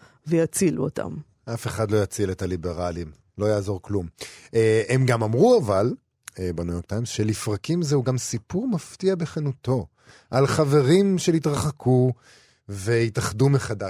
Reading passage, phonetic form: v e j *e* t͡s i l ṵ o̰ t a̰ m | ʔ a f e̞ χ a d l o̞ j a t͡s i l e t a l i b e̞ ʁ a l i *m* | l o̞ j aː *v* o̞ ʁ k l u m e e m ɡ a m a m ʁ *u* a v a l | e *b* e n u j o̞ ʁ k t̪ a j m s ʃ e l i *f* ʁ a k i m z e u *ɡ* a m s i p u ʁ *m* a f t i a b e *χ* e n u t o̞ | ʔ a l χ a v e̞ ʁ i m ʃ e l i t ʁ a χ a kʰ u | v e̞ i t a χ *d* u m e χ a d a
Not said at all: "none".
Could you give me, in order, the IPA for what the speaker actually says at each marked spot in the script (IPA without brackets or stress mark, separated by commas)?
a, m, z, u, b, f, ɡ, m, χ, d